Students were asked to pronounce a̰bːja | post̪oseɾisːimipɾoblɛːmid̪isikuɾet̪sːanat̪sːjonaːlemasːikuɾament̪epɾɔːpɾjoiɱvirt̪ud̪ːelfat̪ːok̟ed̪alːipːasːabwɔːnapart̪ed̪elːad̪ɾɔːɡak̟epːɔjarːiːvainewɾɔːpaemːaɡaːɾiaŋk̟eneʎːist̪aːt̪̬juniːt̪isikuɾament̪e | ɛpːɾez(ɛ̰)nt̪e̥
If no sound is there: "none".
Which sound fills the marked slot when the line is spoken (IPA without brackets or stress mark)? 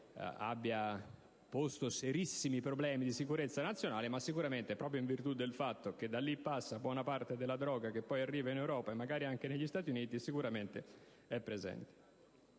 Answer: ɛ̰